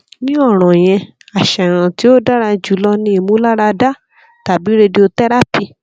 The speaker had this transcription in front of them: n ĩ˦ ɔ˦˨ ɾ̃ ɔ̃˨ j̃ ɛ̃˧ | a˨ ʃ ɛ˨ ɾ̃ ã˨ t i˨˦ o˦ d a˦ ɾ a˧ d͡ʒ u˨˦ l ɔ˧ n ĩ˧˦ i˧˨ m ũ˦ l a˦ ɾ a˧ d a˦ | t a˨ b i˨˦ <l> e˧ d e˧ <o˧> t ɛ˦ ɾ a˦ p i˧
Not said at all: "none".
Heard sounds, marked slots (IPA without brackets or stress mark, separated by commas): ɾ, o˧